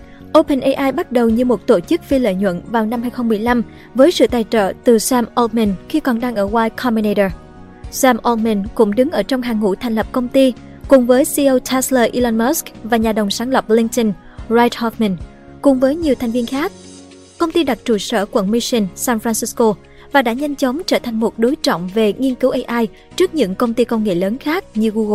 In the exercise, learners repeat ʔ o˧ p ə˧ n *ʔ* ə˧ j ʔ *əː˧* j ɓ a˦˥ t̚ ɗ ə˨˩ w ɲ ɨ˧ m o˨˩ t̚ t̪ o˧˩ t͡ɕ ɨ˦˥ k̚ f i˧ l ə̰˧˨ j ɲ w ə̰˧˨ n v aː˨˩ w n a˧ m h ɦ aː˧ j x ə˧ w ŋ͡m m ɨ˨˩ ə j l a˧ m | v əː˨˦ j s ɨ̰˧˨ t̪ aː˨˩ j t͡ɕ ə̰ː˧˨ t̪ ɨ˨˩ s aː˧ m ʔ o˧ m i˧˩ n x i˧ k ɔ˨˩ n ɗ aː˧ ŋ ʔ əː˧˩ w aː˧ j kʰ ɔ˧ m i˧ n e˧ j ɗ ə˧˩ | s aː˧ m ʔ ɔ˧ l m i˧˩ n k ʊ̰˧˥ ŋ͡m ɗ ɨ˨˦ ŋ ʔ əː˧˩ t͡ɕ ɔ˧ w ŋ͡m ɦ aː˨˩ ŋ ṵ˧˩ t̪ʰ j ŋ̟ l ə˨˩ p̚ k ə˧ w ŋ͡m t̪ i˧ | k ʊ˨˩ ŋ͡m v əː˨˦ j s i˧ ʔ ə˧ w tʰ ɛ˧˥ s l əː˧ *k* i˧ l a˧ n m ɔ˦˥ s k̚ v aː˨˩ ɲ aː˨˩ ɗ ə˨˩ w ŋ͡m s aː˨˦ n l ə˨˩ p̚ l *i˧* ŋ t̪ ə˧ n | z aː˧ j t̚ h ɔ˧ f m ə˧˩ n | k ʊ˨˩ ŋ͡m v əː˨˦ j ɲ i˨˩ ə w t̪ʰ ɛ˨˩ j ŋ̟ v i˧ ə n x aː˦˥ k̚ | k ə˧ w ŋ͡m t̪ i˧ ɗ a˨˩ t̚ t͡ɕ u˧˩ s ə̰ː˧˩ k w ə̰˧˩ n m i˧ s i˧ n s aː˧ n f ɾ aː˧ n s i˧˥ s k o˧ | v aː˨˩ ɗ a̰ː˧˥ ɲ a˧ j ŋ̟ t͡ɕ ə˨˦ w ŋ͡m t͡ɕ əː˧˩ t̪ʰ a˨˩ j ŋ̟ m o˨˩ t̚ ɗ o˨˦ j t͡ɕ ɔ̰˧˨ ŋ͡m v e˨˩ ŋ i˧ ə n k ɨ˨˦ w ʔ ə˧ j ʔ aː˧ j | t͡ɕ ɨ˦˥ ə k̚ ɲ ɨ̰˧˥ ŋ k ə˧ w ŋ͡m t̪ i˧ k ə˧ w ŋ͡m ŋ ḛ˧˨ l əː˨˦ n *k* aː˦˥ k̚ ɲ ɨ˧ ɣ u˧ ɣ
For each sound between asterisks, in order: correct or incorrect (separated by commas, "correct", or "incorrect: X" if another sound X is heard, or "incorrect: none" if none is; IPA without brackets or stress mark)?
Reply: correct, incorrect: aː˧, incorrect: ʔ, correct, incorrect: x